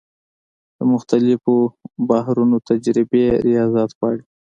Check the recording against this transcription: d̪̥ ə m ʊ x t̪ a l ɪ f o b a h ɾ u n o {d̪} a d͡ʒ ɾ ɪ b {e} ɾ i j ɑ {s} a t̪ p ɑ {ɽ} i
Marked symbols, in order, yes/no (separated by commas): no, yes, no, yes